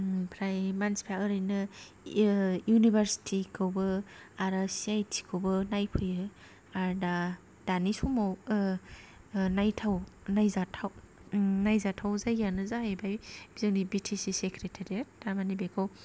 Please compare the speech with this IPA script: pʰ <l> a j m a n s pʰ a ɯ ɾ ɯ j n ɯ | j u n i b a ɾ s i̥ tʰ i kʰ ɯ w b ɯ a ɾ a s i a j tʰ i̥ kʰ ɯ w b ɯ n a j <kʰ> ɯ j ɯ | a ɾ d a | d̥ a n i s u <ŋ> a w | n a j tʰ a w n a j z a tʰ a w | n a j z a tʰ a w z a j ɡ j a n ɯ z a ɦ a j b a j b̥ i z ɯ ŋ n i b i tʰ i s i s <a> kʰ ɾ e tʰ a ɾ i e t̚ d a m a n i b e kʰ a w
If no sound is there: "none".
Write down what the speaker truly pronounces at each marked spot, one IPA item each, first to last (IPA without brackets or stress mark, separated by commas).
ɾ, pʰ, m, e